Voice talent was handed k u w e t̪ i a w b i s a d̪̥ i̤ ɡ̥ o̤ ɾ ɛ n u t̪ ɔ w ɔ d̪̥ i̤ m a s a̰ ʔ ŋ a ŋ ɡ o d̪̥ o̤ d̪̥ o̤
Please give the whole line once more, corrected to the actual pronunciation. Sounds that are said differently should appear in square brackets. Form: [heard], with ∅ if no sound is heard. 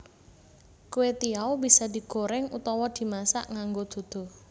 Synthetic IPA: k u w e t̪ i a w b i s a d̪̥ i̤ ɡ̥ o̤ ɾ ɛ [ŋ] u t̪ ɔ w ɔ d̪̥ i̤ m a s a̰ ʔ ŋ a ŋ ɡ o d̪̥ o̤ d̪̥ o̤